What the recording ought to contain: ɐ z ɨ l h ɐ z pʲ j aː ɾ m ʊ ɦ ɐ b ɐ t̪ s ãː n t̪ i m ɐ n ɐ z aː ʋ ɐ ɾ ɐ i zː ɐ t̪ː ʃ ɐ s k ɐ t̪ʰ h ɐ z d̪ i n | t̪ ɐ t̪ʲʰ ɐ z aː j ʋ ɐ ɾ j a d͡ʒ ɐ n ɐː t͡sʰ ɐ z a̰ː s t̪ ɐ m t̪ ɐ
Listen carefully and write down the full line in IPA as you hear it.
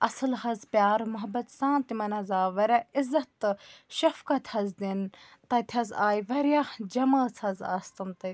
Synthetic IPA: ɐ s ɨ l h ɐ z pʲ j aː ɾ m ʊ ɦ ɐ b ɐ t̪ s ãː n t̪ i m ɐ n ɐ z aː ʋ ɐ ɾ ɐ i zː ɐ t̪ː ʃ ɐ f k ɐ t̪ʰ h ɐ z d̪ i n | t̪ ɐ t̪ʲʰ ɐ z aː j ʋ ɐ ɾ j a d͡ʒ ɐ m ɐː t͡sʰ ɐ z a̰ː s t̪ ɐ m t̪ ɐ

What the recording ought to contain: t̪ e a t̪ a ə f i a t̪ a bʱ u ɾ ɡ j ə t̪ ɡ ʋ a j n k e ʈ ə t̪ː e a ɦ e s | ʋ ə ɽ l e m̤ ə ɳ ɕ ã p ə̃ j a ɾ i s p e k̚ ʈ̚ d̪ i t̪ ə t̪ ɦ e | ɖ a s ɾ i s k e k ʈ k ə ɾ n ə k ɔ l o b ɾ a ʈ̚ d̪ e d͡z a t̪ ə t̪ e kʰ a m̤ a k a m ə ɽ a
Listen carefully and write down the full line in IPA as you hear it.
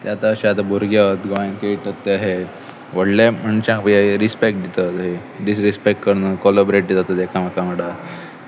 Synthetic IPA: t̪ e a t̪ a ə ɕ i a t̪ a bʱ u ɾ ɡ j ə t̪ ɡ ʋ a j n k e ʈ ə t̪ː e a ɦ e | ʋ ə ɽ l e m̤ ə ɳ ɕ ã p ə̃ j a ɾ i s p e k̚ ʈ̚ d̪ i t̪ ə t̪ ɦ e | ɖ i s ɾ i s p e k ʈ k ə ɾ n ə k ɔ l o b ɾ e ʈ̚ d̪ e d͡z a t̪ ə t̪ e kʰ a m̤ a k a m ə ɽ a

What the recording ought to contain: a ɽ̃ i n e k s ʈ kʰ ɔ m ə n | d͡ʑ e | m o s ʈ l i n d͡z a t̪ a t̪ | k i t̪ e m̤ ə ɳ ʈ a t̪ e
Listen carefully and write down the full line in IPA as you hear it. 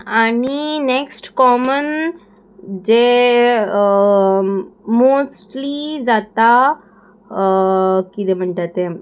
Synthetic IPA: a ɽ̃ i n e k s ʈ k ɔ m ə n | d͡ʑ e | m o s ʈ l i d͡z a t̪ a | k i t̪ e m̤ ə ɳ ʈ a t̪ e

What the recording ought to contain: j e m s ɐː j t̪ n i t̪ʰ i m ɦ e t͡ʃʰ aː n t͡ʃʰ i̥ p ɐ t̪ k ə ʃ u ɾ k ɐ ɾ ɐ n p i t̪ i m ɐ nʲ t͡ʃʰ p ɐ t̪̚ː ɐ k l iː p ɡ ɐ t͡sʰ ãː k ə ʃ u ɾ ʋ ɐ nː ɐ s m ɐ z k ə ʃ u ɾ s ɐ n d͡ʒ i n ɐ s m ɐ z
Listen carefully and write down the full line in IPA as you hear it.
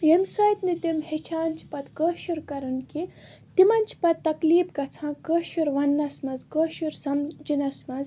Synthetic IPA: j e m s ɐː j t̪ n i t̪ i m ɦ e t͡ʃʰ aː n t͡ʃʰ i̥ p ɐ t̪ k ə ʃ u ɾ k ɐ ɾ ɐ n k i t̪ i m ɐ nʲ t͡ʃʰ p ɐ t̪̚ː ɐ k l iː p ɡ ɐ t͡sʰ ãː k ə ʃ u ɾ ʋ ɐ nː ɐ s m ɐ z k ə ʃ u ɾ s ɐ m d͡ʒ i n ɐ s m ɐ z

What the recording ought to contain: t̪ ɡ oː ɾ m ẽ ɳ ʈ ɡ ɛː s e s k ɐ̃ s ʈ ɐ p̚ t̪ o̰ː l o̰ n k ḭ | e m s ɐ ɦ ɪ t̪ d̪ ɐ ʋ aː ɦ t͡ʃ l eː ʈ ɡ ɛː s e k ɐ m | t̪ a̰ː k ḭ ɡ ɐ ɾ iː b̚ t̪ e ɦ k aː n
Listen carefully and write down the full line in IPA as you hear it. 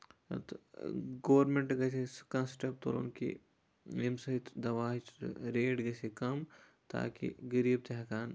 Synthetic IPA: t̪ ɡ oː ɾ m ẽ ɳ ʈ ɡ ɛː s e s k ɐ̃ s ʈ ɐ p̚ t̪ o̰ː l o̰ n k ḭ | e m s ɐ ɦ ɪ t̪ d̪ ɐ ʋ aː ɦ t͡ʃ ɾ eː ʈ ɡ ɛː s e k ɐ m | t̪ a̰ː k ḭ ɡ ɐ ɾ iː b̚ t̪ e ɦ k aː n

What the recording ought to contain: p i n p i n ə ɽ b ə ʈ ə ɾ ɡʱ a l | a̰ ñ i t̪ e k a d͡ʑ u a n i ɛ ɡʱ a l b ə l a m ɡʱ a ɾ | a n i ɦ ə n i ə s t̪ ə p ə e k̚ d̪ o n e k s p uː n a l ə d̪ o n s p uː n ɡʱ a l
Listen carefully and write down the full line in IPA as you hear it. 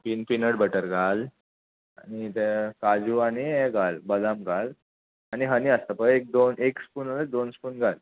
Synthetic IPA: p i n p i n ə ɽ b ə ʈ ə ɾ ɡʱ a l | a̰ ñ i t̪ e k a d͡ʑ u a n i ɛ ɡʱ a l b ə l a m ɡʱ a l | a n i ɦ ə n i ə s t̪ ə p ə e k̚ d̪ o n e k s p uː n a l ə d̪ o n s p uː n ɡʱ a l

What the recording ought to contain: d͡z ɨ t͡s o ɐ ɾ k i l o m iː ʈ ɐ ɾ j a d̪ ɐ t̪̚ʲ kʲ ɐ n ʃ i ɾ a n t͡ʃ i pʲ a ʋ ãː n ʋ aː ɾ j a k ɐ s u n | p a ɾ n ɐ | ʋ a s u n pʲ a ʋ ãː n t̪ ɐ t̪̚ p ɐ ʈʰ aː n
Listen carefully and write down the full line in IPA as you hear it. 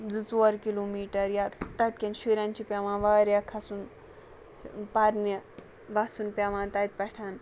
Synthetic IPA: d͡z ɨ t͡s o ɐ ɾ k i l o m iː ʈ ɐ ɾ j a t̪ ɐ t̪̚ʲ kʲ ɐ n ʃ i ɾ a n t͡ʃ i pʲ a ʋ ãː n ʋ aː ɾ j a kʰ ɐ s u n | p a ɾ n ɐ | ʋ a s u n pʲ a ʋ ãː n t̪ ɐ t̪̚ p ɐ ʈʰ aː n

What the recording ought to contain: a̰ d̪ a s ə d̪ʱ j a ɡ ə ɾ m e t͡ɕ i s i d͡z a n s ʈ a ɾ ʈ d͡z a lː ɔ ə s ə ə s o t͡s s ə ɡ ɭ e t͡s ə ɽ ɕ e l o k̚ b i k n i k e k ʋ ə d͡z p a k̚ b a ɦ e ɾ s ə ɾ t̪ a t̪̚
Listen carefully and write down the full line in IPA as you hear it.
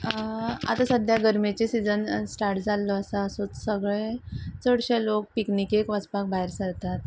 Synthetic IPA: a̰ t̪ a s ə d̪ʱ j a ɡ ə ɾ m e t͡ɕ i s i d͡z ə n s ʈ a ɾ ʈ d͡z a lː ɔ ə s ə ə s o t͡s s ə ɡ ɭ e t͡s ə ɽ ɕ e l o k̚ p i k n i k e k ʋ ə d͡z p a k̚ b a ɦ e ɾ s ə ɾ t̪ a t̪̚

